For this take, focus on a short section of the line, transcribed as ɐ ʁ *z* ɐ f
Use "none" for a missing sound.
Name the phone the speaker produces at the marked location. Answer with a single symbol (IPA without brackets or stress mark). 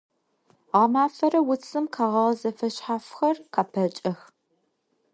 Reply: z